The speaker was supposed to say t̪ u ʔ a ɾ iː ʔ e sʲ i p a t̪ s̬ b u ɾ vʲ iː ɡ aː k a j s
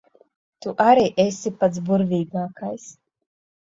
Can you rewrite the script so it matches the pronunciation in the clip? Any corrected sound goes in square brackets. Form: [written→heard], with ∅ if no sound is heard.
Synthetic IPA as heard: t̪ u ʔ a ɾ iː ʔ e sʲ i p a t̪ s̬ b u ɾ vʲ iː ɡ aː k a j s